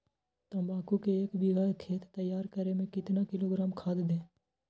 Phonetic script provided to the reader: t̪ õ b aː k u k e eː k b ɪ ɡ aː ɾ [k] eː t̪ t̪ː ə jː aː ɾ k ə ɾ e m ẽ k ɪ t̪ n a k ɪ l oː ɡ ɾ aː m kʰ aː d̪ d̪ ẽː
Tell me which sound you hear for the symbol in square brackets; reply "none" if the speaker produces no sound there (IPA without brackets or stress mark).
kʰ